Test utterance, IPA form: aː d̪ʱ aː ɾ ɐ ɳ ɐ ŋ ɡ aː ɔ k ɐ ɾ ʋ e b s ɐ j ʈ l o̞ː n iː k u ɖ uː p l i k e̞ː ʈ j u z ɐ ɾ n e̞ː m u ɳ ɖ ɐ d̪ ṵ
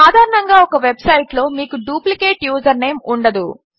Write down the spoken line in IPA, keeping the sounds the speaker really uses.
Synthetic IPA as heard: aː d̪ʱ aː ɾ ɐ ɳ ɐ ŋ ɡ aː ɔ k ɐ ʋ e b s ɐ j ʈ l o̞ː m iː k u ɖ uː p l i k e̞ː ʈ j uː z ɐ ɾ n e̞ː m u ɳ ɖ ɐ d̪ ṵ